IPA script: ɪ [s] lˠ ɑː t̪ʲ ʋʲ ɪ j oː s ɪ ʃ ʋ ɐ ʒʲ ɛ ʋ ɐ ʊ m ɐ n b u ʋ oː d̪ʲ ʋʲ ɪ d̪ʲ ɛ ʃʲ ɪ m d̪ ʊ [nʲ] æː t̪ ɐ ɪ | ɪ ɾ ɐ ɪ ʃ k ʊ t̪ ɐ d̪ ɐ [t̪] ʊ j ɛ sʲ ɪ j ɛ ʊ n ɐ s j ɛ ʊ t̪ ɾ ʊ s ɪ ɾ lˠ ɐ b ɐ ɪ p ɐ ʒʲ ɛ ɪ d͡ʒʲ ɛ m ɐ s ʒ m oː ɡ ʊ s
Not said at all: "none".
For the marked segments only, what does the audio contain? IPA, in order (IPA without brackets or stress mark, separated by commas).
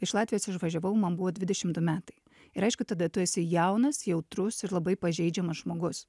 ʃ, mʲ, t̪